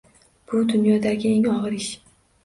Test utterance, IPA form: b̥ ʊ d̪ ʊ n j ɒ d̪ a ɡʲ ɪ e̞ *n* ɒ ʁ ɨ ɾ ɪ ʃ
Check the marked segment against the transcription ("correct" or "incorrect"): incorrect